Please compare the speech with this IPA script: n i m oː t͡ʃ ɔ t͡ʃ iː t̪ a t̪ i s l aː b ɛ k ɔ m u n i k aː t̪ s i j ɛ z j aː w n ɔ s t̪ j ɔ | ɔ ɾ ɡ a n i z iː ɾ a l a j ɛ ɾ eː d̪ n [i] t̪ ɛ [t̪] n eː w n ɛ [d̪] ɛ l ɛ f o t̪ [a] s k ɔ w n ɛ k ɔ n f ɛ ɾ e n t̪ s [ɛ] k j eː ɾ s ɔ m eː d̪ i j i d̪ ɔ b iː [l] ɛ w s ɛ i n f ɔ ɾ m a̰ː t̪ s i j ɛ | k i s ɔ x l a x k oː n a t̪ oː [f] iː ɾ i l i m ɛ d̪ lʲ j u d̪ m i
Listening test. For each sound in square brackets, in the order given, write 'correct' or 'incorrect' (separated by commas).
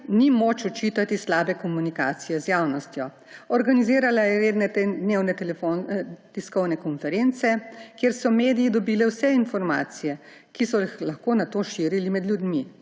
incorrect, incorrect, incorrect, incorrect, correct, correct, incorrect